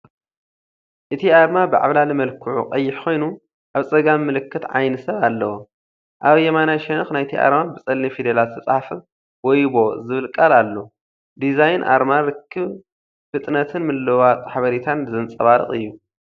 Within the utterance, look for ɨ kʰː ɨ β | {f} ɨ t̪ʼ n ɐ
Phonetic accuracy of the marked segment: correct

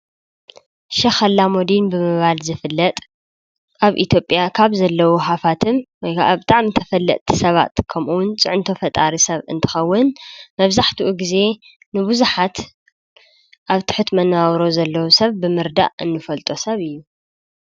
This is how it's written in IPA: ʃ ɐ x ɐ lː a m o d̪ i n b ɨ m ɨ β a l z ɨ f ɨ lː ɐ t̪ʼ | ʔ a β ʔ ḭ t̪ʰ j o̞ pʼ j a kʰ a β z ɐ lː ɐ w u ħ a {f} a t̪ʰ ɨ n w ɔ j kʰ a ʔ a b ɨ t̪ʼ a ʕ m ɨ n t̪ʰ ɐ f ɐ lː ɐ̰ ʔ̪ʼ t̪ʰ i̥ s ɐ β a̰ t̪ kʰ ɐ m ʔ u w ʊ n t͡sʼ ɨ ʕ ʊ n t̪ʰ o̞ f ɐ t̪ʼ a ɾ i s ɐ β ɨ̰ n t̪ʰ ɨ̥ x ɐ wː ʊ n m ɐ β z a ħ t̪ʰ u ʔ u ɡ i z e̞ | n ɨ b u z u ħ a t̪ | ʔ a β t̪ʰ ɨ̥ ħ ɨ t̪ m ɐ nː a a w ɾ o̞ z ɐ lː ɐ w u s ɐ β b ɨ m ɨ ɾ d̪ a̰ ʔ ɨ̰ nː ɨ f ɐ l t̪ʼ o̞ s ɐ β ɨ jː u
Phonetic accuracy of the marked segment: correct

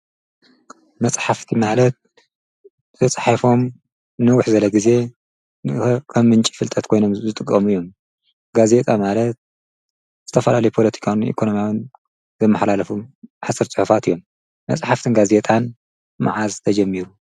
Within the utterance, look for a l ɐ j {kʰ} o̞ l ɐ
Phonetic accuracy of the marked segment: incorrect: pʰ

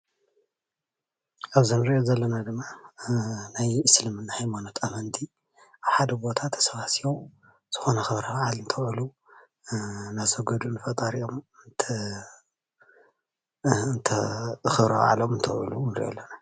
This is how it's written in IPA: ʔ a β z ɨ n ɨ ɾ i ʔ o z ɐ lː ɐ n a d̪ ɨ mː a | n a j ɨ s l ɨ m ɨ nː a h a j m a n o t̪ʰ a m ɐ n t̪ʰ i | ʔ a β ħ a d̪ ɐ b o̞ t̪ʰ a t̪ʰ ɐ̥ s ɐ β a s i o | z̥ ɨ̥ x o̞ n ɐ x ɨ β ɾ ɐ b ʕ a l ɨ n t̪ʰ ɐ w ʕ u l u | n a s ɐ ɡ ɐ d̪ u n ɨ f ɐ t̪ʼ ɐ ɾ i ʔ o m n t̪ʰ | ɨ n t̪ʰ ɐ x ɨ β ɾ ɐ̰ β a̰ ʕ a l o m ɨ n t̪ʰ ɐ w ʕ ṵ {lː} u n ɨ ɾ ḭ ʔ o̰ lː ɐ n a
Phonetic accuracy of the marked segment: incorrect: l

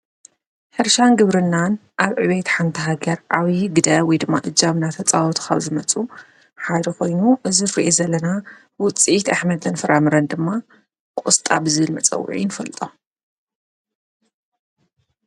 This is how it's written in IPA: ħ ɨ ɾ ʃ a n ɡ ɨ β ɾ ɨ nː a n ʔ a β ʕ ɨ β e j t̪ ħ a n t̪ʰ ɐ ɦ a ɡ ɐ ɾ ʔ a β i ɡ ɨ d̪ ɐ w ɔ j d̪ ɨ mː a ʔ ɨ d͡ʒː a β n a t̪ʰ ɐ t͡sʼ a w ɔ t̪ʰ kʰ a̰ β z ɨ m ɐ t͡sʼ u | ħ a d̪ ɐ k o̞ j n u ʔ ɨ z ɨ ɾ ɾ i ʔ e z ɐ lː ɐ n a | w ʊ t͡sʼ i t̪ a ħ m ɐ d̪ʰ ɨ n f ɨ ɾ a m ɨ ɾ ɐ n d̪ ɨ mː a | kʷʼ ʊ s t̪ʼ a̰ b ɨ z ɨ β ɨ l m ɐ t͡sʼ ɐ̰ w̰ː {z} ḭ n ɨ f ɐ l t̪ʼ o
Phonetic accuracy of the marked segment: incorrect: ʕ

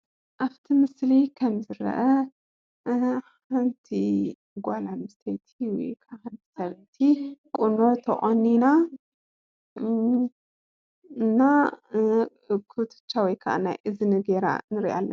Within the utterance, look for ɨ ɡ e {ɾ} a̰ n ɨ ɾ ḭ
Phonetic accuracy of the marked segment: correct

